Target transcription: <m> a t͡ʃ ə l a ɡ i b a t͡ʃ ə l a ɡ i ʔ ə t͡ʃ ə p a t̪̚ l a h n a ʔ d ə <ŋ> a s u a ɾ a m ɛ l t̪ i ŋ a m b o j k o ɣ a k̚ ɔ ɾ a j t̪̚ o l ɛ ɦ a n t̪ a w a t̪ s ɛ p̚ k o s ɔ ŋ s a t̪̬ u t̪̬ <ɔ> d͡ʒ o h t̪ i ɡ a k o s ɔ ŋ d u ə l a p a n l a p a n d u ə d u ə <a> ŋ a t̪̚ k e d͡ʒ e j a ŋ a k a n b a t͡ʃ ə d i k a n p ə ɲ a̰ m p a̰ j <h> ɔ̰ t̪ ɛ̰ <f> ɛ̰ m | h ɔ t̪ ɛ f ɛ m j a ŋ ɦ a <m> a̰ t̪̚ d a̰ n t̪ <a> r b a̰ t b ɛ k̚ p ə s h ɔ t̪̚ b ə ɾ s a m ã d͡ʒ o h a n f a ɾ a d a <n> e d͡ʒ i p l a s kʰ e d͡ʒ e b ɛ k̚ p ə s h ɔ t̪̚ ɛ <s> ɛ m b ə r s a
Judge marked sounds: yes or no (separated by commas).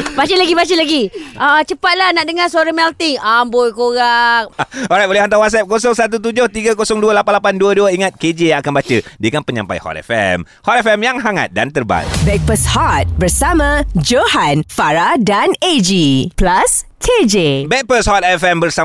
no, yes, no, no, yes, yes, no, no, yes, no